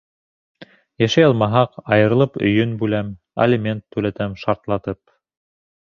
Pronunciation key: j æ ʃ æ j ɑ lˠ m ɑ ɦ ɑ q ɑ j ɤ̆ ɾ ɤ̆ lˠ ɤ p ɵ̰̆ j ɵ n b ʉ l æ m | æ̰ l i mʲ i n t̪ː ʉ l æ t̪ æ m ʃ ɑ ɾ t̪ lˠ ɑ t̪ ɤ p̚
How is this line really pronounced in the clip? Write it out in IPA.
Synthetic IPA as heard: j æ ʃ æ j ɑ lˠ m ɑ ɦ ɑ q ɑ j ɤ̆ ɾ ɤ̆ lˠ ɤ p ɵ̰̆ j ɵ n b ʉ l æ m | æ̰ l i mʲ e n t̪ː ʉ l æ t̪ æ m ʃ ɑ ɾ t̪ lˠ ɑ t̪ ɤ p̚